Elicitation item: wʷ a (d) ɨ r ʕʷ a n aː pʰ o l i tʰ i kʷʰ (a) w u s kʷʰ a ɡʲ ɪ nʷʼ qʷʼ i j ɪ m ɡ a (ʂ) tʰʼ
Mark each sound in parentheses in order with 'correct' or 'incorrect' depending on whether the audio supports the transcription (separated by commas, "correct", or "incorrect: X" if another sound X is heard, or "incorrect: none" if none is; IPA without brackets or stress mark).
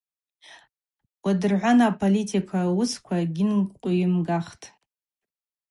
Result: correct, correct, incorrect: χ